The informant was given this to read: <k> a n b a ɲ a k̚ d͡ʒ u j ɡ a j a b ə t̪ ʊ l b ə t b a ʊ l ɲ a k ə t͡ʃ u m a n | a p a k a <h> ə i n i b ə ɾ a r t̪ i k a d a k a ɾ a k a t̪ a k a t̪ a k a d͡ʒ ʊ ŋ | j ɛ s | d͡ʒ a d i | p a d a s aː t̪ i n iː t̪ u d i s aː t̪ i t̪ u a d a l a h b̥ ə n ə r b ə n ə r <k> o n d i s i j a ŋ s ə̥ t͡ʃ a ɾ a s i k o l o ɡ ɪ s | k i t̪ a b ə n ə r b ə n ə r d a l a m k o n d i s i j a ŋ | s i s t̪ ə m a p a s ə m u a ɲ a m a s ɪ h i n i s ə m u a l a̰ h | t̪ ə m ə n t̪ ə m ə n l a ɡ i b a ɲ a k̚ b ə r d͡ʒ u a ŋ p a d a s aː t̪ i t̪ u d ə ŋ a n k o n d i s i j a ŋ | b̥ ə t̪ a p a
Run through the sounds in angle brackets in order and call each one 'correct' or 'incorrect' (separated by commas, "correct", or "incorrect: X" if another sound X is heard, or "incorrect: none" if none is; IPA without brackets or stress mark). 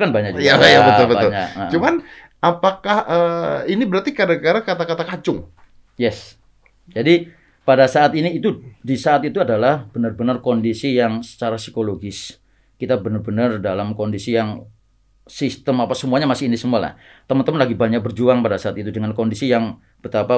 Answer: correct, correct, correct